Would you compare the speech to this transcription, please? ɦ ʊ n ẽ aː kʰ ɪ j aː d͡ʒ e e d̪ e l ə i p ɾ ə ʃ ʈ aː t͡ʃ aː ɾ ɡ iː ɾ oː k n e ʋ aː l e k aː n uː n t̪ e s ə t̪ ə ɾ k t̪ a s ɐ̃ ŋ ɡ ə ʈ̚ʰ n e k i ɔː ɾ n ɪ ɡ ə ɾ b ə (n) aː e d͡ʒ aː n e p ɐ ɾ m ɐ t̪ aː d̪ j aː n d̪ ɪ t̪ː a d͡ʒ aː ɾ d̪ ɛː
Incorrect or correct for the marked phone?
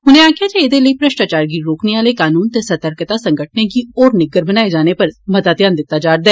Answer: correct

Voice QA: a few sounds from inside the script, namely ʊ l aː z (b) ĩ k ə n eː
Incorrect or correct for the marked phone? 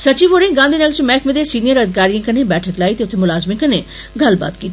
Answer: incorrect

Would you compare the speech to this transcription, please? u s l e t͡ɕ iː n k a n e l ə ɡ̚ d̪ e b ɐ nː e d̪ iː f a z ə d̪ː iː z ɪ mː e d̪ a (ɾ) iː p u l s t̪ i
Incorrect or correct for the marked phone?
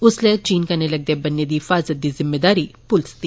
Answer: correct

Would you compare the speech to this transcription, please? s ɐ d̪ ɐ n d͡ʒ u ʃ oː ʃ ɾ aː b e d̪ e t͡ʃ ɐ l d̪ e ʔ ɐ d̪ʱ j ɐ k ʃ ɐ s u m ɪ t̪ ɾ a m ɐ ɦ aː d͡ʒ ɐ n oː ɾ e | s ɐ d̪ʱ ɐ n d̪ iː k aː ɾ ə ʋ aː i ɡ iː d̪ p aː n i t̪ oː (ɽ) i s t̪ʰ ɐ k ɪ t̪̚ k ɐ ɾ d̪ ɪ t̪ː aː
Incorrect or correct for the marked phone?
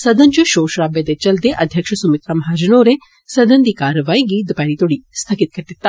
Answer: correct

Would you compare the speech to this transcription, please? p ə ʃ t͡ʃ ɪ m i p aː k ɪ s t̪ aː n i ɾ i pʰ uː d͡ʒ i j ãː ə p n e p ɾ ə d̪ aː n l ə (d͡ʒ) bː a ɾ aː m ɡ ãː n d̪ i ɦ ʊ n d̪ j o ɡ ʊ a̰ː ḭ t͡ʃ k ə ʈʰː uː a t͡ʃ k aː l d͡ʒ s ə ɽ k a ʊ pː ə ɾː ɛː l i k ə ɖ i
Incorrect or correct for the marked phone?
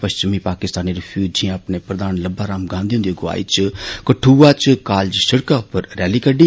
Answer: incorrect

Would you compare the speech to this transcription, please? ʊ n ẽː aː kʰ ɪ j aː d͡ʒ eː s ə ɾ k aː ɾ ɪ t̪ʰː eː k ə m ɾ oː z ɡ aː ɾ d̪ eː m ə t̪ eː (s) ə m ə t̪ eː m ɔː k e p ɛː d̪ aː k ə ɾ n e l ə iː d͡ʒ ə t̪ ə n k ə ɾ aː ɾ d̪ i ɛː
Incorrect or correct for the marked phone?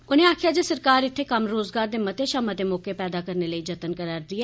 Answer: incorrect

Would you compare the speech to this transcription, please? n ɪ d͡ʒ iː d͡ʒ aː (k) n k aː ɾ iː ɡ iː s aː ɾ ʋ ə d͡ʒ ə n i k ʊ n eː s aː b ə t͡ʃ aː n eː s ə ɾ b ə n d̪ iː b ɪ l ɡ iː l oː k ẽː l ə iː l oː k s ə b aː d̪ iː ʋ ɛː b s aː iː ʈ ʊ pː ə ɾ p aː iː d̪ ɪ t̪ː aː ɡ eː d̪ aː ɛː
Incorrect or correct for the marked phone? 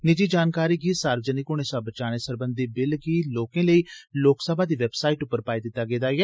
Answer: incorrect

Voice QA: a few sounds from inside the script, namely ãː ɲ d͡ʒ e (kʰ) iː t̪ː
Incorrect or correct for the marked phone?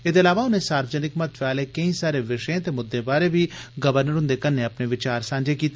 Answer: incorrect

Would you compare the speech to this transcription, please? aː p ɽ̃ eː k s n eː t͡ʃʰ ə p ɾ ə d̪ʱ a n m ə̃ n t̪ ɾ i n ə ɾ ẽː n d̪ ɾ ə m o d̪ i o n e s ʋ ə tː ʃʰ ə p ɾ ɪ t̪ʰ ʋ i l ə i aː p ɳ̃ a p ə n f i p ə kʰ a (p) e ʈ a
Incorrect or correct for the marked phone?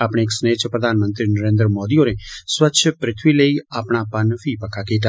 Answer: incorrect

